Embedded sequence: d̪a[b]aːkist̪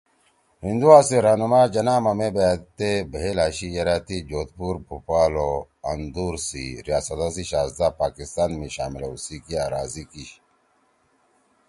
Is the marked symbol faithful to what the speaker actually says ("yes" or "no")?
no